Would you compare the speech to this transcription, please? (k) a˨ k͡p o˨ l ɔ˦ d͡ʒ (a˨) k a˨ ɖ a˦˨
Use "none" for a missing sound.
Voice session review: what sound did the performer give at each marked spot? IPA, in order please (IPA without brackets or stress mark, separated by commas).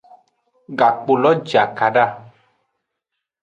ɡ, a˨